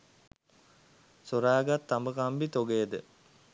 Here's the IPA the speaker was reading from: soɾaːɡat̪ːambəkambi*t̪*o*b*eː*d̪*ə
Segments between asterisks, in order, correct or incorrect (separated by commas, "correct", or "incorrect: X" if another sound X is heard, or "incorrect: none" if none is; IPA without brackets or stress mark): correct, incorrect: ɡ, correct